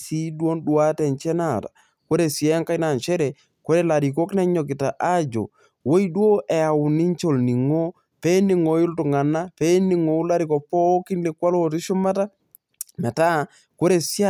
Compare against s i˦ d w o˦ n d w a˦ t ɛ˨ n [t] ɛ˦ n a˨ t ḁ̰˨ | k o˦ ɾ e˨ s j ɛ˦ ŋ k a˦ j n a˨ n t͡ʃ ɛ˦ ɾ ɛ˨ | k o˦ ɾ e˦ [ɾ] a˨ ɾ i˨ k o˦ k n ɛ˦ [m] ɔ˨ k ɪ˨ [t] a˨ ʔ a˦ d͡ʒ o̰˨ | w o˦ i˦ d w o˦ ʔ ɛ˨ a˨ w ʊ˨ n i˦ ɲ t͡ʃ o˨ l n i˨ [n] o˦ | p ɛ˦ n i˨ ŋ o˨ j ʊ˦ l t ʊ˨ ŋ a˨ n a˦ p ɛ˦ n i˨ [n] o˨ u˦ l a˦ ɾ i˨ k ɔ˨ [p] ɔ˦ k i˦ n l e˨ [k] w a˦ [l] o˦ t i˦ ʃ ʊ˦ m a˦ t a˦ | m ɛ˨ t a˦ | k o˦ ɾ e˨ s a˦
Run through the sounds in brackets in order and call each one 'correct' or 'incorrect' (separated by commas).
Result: incorrect, incorrect, incorrect, correct, incorrect, incorrect, correct, correct, correct